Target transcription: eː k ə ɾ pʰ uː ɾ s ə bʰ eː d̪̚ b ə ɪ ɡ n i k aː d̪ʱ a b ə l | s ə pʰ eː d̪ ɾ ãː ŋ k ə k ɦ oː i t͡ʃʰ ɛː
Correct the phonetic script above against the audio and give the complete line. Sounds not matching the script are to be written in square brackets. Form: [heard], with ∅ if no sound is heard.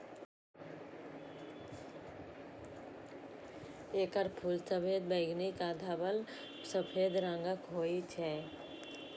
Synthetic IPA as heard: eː k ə ɾ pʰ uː [l] s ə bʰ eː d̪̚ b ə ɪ ɡ n i k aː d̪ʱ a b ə l | s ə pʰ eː d̪ ɾ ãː ŋ [ɡ] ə k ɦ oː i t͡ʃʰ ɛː